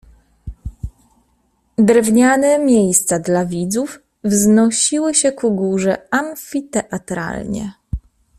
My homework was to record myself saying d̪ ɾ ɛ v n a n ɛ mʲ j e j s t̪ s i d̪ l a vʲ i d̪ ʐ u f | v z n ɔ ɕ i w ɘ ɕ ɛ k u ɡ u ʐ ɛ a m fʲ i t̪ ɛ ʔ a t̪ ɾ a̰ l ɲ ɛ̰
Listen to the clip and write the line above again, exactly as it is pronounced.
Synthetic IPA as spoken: d̪ ɾ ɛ v ɲ a n ɛ mʲ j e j s t̪ s a d̪ l a vʲ i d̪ z u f | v z n ɔ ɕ i w ɘ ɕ ɛ k u ɡ u ʐ ɛ a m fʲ i t̪ ɛ ʔ a t̪ ɾ a̰ l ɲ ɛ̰

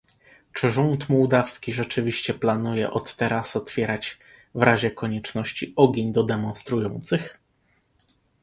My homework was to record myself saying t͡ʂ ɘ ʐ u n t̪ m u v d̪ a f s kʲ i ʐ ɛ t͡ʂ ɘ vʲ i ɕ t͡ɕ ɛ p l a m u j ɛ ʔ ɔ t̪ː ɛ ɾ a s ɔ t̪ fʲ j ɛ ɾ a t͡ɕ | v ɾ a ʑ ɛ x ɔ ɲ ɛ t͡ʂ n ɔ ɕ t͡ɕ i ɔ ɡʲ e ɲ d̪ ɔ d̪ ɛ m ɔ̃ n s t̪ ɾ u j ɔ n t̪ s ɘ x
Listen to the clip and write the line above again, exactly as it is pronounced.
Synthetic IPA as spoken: t͡ʂ ɘ ʐ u n t̪ m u w d̪ a f s kʲ i ʐ ɛ t͡ʂ ɘ vʲ i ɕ t͡ɕ ɛ p l a n u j ɛ ʔ ɔ t̪ː ɛ ɾ a s ɔ t̪ fʲ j ɛ ɾ a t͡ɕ | v ɾ a ʑ ɛ k ɔ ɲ ɛ t͡ʂ n ɔ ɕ t͡ɕ i ɔ ɡʲ e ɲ d̪ ɔ d̪ ɛ m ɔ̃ n s t̪ ɾ u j ɔ n t̪ s ɘ x

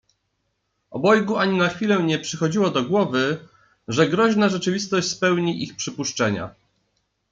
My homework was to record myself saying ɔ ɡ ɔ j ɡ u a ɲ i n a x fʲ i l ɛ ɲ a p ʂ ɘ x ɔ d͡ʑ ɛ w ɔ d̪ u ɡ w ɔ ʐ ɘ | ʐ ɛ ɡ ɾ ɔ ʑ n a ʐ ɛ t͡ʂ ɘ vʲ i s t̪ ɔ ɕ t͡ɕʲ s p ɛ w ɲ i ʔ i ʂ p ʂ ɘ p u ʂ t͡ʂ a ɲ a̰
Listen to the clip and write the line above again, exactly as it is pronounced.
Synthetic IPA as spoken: ɔ b ɔ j ɡ u a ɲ i n a x fʲ i l ɛ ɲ ɛ p ʂ ɘ x ɔ d͡ʑ i w ɔ d̪ ɔ ɡ w ɔ v ɘ | ʐ ɛ ɡ ɾ ɔ ʑ n a ʐ ɛ t͡ʂ ɘ vʲ i s t̪ ɔ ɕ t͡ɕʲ s p ɛ w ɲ i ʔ i x p ʂ ɘ p u ʂ t͡ʂ ɛ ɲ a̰

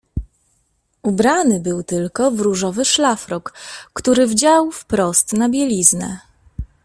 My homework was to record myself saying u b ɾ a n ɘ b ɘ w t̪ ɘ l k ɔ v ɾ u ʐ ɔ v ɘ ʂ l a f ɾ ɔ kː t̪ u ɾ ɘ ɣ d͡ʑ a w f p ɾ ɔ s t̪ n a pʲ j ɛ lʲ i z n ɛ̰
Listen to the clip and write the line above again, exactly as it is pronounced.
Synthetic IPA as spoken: u b ɾ a n ɘ b ɘ w t̪ ɘ l k ɔ v ɾ u ʐ ɔ v ɘ ʂ l a f ɾ ɔ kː t̪ u ɾ ɘ v d͡ʑ a w f p ɾ ɔ s t̪ n a bʲ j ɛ lʲ i z n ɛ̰

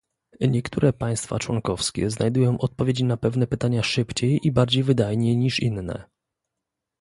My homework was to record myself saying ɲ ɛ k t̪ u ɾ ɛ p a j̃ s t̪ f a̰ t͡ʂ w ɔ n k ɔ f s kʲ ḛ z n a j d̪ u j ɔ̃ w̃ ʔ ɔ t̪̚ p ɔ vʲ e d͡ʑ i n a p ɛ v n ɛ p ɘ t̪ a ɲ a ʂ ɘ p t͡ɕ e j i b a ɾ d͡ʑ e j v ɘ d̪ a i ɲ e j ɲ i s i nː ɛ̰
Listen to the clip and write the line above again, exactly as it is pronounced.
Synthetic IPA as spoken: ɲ ɛ k t̪ u ɾ ɛ p a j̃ s t̪ f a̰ t͡ʂ w ɔ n k ɔ f s kʲ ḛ z n a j d̪ u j ɔ̃ w̃ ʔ ɔ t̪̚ p ɔ vʲ e d͡ʑ i n a p ɛ v n ɛ p ɘ t̪ a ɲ a ʂ ɘ p t͡ɕ e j i b a ɾ d͡ʑ e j v ɘ d̪ a j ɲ e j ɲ i ʂ i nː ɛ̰

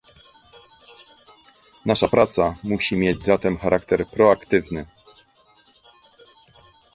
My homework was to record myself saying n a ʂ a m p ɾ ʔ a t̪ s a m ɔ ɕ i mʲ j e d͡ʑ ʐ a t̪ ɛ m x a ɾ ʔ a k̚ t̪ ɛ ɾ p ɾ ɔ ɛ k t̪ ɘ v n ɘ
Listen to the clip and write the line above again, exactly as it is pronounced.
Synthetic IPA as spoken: n a ʂ a p ɾ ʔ a t̪ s a m u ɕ i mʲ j e d͡ʑ z a t̪ ɛ m x a ɾ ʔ a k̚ t̪ ɛ ɾ p ɾ ɔ a k t̪ ɘ v n ɘ

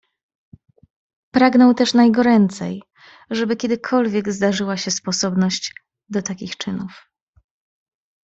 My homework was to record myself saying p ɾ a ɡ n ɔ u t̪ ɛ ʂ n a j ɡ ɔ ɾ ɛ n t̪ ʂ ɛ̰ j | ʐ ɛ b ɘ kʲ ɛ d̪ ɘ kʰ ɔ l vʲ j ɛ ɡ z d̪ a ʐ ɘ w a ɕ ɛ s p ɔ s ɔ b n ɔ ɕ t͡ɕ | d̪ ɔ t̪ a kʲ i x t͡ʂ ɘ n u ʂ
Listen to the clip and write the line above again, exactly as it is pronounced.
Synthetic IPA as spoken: p ɾ a ɡ n ɔ w t̪ ɛ ʂ n a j ɡ ɔ ɾ ɛ n t̪ s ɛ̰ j | ʐ ɛ b ɘ kʲ ɛ d̪ ɘ kʰ ɔ l vʲ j ɛ ɡ z d̪ a ʐ ɘ w a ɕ ɛ s p ɔ s ɔ b n ɔ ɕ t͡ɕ | d̪ ɔ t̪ a kʲ i x t͡ʂ ɘ n u f

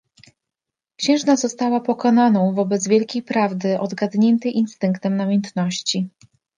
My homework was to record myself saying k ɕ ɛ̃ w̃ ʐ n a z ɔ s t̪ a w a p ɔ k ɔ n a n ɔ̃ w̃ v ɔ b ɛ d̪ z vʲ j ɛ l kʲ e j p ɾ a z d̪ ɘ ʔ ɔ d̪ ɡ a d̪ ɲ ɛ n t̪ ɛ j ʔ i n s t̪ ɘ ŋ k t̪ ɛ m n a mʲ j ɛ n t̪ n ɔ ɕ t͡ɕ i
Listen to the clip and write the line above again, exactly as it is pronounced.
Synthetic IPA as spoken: k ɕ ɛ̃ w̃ ʐ n a z ɔ s t̪ a w a p ɔ k ɔ n a n ɔ̃ w̃ v ɔ b ɛ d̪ z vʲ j ɛ l kʲ e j p ɾ a v d̪ ɘ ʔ ɔ d̪ ɡ a d̪ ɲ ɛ n t̪ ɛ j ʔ i n s t̪ ɘ ŋ k t̪ ɛ m n a mʲ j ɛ n t̪ n ɔ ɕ t͡ɕ i

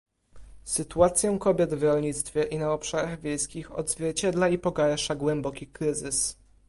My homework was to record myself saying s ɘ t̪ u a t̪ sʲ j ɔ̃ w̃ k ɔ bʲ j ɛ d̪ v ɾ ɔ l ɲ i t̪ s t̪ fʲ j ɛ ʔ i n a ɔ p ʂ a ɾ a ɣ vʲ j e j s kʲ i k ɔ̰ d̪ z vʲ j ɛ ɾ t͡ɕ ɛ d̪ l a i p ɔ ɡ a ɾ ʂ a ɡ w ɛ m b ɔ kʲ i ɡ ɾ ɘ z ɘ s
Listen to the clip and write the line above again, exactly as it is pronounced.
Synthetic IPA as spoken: s ɘ t̪ u a t̪ sʲ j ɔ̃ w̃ k ɔ bʲ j ɛ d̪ v ɾ ɔ l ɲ i t̪ s t̪ fʲ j ɛ ʔ i n a ɔ p ʂ a ɾ a ɣ vʲ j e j s kʲ i x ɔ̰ d̪ z vʲ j ɛ ɾ t͡ɕ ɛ d̪ l a i p ɔ ɡ a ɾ ʂ a ɡ w ɛ m b ɔ kʲ i k ɾ ɘ z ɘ s

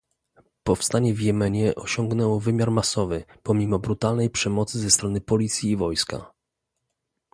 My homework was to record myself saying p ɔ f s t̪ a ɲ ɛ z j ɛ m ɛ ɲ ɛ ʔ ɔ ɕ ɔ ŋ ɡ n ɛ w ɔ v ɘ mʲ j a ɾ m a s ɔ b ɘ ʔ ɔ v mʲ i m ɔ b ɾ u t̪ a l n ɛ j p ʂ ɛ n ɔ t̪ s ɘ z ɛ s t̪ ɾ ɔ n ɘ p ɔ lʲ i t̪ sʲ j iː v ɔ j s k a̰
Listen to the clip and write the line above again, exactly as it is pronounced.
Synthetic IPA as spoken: p ɔ f s t̪ a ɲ ɛ v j ɛ m ɛ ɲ ɛ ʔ ɔ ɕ ɔ ŋ ɡ n ɛ w ɔ v ɘ mʲ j a ɾ m a s ɔ v ɘ p ɔ mʲ i m ɔ b ɾ u t̪ a l n ɛ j p ʂ ɛ m ɔ t̪ s ɘ z ɛ s t̪ ɾ ɔ n ɘ p ɔ lʲ i t̪ sʲ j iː v ɔ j s k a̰

